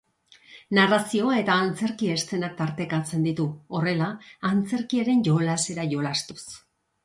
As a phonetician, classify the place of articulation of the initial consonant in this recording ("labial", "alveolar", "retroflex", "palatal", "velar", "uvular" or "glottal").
alveolar